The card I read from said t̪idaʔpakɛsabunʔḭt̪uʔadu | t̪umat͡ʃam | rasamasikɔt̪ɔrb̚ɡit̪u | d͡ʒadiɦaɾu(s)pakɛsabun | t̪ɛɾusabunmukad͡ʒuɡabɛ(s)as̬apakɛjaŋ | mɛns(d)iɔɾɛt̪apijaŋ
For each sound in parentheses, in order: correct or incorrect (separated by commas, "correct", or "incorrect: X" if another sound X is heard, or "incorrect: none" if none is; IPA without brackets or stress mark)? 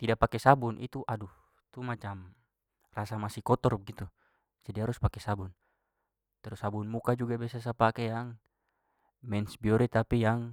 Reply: correct, correct, incorrect: b